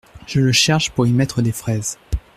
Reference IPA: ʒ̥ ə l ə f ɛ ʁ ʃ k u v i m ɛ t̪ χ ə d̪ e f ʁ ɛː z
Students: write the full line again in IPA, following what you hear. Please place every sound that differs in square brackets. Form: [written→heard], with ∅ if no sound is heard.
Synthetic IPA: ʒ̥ ə l ə [f→ʃ] ɛ ʁ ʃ [k→p] u [v→ʁ] i m ɛ t̪ χ ə d̪ e f [ʁ→χ] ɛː z

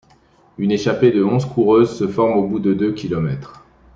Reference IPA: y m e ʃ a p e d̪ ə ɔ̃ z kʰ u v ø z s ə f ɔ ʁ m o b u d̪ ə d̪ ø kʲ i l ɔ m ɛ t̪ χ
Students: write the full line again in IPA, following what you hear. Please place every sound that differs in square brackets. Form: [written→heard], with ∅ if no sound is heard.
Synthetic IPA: y [m→n] e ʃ a p e d̪ ə ɔ̃ z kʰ u [v→ʁ] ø z s ə f ɔ ʁ m o b u d̪ ə d̪ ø kʲ i l ɔ m ɛ t̪ χ

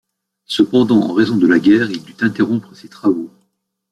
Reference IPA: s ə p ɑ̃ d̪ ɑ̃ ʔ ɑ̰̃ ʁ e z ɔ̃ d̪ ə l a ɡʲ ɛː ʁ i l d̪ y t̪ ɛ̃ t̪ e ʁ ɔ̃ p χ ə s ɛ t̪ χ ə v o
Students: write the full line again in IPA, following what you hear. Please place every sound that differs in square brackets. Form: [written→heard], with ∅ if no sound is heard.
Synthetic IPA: s ə p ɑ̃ d̪ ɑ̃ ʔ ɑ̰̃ ʁ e z ɔ̃ d̪ ə l a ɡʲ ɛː ʁ i l d̪ y t̪ ɛ̃ t̪ e ʁ ɔ̃ p χ ə s [ɛ→e] t̪ χ [ə→a] v o

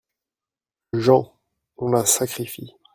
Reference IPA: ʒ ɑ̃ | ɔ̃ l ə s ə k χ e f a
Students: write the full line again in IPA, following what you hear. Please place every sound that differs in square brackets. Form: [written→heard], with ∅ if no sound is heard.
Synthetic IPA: ʒ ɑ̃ | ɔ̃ l [ə→a] s [ə→a] k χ [e→i] f [a→i]

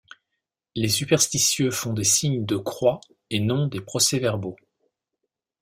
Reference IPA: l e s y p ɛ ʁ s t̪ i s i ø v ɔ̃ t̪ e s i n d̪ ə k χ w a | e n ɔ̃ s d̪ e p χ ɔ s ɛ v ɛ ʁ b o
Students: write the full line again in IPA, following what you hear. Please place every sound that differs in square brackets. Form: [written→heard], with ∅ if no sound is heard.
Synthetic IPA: l e s y p ɛ ʁ s t̪ i s [i→j] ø [v→f] ɔ̃ [t̪→d̪] e s i [n→ɲ] d̪ ə k χ w a | e n ɔ̃ [s→∅] d̪ e p χ ɔ s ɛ v ɛ ʁ b o

